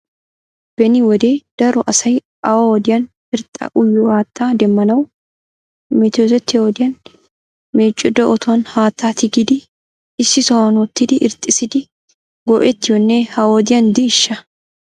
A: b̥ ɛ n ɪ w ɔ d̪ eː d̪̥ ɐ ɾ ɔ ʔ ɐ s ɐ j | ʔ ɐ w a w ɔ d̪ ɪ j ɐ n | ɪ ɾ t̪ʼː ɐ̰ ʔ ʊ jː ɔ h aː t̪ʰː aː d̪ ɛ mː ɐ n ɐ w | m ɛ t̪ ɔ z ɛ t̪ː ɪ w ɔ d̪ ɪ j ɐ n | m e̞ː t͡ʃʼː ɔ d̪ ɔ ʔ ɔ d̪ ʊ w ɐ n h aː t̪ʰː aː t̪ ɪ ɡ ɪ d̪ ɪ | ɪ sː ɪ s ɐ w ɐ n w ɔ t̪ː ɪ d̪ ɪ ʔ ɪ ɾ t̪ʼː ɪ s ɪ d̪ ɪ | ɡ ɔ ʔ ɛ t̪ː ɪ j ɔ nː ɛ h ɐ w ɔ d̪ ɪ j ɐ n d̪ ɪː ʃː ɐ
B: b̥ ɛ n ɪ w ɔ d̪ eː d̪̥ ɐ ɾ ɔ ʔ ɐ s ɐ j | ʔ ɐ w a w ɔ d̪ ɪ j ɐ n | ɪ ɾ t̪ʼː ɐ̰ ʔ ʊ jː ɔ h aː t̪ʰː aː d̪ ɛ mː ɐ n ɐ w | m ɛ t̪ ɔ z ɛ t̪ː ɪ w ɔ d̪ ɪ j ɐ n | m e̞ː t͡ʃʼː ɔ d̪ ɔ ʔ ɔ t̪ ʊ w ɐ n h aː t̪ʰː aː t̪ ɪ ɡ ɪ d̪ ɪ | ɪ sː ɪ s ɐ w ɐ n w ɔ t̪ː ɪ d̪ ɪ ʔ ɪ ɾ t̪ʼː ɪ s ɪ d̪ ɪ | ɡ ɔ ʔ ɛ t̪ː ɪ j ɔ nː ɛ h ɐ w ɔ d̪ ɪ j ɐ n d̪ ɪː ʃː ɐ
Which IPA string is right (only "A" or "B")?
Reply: B